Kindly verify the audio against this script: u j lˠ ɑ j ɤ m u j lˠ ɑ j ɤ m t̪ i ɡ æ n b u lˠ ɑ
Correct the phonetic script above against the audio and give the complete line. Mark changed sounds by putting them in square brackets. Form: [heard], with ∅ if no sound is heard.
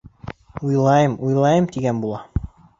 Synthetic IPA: u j lˠ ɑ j ɤ m u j lˠ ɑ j ɤ m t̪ i ɡ æ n b u lˠ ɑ